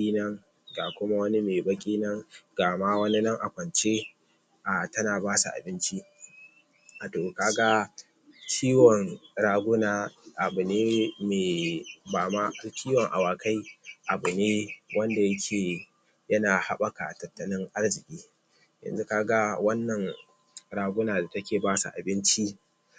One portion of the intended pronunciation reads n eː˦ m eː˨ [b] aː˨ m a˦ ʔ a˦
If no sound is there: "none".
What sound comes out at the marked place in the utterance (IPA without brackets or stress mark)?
b